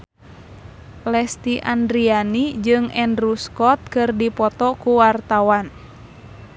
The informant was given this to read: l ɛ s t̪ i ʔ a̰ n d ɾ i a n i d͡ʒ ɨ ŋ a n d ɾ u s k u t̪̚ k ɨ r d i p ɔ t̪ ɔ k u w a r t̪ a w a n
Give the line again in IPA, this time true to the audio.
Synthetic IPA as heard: l ɛ s t̪ i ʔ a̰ n d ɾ i a n i d͡ʒ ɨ ŋ ɛ n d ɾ u s k ɔ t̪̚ k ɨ r d i p ɔ t̪ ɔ k u w a r t̪ a w a n